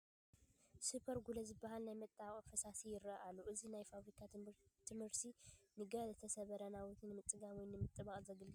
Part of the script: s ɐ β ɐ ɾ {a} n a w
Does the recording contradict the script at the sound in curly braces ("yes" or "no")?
yes